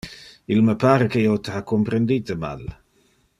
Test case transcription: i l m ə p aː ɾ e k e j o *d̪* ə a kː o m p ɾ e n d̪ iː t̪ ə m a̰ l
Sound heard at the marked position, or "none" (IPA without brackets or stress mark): t̪